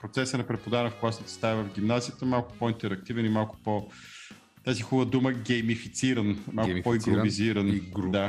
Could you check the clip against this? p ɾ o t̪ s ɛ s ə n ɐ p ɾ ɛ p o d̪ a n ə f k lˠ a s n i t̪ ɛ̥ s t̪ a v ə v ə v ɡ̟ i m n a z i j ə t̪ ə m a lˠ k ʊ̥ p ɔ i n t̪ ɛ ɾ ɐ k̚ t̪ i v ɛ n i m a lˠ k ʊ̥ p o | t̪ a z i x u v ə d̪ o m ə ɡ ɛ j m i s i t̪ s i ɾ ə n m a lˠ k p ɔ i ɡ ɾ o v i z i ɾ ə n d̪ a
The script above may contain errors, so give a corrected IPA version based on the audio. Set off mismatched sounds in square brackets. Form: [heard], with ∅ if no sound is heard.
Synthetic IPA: p ɾ o t̪ s ɛ s ə n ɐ p ɾ ɛ p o d̪ a n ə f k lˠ a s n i t̪ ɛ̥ s t̪ a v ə v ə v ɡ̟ i m n a z i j ə t̪ ə m a lˠ k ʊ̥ p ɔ i n t̪ ɛ ɾ ɐ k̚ t̪ i v ɛ n i m a lˠ k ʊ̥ p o | t̪ a z i x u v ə d̪ [u] m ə ɡ ɛ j m i [f] i t̪ s i ɾ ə n m a lˠ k p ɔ i ɡ ɾ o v i z i ɾ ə n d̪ a